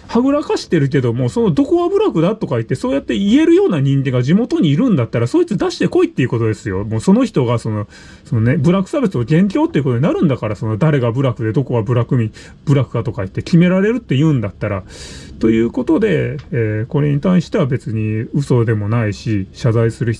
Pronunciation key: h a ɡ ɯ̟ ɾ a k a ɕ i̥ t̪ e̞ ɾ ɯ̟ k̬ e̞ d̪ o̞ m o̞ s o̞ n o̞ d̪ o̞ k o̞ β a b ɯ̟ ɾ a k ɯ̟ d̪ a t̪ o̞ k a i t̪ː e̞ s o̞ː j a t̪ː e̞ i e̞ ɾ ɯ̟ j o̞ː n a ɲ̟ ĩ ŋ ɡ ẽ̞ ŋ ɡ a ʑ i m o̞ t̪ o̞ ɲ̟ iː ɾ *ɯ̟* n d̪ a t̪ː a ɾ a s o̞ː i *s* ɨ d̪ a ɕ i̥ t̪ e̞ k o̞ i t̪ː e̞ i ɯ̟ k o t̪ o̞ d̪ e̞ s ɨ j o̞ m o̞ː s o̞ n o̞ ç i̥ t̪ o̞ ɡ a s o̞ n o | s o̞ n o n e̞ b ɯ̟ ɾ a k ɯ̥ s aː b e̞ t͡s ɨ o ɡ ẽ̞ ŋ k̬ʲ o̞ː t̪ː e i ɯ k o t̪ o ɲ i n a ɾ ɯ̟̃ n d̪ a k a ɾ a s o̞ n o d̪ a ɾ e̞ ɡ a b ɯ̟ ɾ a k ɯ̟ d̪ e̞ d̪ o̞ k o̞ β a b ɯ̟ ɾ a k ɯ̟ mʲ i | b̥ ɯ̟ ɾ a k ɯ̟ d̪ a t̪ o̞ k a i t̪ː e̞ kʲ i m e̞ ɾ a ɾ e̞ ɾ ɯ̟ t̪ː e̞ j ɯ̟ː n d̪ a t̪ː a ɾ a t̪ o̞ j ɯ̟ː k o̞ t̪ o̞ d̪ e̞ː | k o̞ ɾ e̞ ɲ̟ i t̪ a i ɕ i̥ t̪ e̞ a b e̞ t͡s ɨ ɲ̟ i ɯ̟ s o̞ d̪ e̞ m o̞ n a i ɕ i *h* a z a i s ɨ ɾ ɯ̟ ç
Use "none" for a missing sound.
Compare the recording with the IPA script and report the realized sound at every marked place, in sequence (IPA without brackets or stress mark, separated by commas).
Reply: ɯ̟̃, t͡s, ɕ